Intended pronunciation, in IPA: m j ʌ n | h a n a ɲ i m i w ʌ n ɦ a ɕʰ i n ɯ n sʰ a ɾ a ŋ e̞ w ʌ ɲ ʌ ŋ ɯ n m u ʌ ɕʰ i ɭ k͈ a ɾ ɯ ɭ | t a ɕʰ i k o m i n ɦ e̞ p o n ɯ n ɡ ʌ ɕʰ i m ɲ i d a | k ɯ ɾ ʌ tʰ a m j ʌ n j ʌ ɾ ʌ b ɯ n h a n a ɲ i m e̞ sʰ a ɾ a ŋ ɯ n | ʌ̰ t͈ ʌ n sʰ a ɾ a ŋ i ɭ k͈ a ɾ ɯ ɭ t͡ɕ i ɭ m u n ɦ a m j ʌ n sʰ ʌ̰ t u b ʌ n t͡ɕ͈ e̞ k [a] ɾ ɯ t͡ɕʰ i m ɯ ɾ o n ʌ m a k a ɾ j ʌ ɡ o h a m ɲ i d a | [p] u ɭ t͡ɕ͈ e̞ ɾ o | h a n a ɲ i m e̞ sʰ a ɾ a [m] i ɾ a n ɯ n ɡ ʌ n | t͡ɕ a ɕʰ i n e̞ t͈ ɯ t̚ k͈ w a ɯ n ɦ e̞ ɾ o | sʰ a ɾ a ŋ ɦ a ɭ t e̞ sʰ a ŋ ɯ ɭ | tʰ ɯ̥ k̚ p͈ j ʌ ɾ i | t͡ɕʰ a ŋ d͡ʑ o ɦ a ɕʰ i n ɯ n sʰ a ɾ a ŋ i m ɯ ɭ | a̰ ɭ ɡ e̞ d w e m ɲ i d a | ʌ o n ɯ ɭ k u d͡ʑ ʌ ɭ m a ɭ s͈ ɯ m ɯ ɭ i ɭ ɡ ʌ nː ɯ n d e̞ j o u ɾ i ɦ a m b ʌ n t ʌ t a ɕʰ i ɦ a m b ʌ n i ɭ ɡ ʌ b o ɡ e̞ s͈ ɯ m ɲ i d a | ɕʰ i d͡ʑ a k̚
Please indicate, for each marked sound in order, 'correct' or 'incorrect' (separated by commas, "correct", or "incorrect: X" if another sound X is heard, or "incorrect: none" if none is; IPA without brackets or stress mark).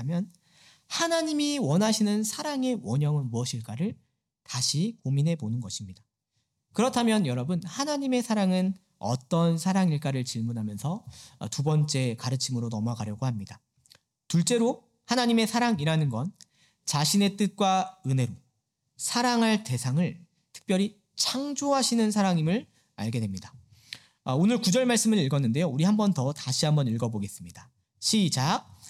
correct, incorrect: t, incorrect: ŋ